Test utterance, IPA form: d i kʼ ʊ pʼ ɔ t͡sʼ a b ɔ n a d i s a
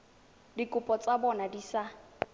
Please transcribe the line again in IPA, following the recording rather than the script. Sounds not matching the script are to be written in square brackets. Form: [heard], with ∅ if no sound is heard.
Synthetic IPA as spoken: d i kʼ ʊ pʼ ɔ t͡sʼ a b ɔ n a d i s a